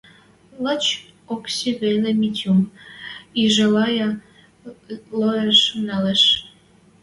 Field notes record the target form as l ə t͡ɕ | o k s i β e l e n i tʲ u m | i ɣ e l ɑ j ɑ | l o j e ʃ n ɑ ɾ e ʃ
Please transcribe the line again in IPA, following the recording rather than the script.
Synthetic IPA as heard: l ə t͡ɕ | o k s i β e l e m i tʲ u m | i ʒ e l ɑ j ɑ | l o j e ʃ n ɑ l e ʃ